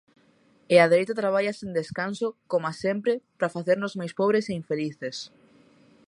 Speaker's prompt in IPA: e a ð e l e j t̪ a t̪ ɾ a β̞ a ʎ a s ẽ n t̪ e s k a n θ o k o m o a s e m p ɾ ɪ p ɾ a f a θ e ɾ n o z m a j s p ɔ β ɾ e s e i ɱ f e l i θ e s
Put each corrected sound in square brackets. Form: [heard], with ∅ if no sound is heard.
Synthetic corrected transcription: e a ð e [ɾ] e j t̪ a t̪ ɾ a β̞ a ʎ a s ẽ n [d̪] e s k a n [s] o k o m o a s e m p ɾ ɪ p ɾ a f a θ e ɾ n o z m a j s p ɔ β ɾ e s e i ɱ f e l i θ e s

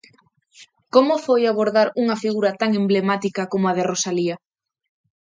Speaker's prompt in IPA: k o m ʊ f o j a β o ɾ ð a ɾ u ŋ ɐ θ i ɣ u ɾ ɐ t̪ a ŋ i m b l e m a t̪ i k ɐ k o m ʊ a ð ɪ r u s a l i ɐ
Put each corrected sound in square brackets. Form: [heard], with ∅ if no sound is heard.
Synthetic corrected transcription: k o m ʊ f o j a β o ɾ ð a ɾ u ŋ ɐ [f] i ɣ u ɾ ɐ t̪ a ŋ [e] m b l e m a t̪ i k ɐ k o m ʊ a ð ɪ r [o] s a l i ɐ

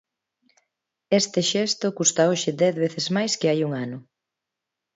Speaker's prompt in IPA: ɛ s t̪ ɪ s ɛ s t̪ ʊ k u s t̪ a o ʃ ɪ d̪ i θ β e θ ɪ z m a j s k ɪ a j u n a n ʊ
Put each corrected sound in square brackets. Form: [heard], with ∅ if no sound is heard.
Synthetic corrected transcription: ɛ s t̪ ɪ [ʃ] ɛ s t̪ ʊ k u s t̪ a o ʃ ɪ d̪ [ɛ] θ β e θ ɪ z m a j s k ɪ a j u [ŋ] a n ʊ

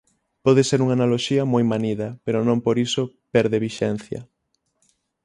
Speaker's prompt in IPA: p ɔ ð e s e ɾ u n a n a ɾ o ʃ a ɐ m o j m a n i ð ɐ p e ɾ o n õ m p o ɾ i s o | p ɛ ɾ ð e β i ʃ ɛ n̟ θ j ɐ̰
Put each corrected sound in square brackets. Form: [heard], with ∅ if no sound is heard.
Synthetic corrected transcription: p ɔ ð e s e ɾ u [ŋ] a n a [l] o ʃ [i] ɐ m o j m a n i ð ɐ p e ɾ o n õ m p o ɾ i s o | p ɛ ɾ ð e β i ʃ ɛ n̟ θ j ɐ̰

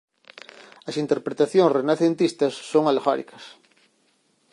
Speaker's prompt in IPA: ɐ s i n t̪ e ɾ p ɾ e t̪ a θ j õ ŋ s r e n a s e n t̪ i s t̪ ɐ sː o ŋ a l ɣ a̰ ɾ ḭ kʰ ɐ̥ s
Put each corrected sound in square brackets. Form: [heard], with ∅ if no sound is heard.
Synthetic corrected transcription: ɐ s i n t̪ e ɾ p ɾ e t̪ a θ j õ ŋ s r e n a [θ] e n t̪ i s t̪ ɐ sː o ŋ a l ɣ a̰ ɾ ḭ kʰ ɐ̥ s

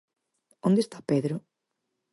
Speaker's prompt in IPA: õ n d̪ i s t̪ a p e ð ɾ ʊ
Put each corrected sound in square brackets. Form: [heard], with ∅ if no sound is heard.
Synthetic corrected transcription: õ n d̪ [e] s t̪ a p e ð ɾ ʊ

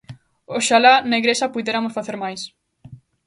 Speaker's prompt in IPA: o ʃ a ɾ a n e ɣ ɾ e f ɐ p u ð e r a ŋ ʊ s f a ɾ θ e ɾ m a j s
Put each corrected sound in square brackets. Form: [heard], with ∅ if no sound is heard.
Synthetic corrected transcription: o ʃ a [l] a n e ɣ ɾ e [s] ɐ p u ð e [ɾ] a [m] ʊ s f a [∅] θ e ɾ m a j s

